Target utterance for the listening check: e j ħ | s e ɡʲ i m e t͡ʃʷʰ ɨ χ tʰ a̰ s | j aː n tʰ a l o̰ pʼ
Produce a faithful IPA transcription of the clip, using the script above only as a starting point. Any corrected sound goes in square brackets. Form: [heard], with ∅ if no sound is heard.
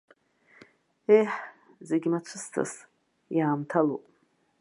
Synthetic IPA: e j ħ | [z] e ɡʲ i m [a] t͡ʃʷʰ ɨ [s] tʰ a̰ s | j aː [m] tʰ a l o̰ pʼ